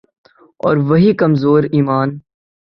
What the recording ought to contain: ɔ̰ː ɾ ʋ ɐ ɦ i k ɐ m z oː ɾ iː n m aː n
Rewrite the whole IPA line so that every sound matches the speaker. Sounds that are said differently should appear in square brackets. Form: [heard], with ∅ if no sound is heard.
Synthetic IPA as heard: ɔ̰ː ɾ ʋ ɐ ɦ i k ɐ m z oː ɾ iː [∅] m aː n